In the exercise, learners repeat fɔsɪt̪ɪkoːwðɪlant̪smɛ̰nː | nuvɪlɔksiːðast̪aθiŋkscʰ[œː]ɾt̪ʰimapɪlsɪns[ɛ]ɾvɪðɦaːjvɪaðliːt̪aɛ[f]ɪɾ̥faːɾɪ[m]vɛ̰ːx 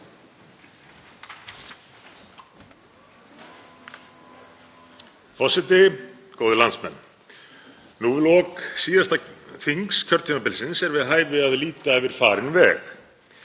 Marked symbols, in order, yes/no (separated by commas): no, yes, no, no